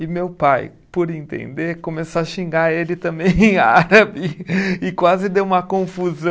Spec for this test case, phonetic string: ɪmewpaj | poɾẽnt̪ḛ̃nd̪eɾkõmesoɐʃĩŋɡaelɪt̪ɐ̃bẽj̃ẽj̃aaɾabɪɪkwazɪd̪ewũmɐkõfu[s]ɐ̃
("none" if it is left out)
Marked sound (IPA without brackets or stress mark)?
z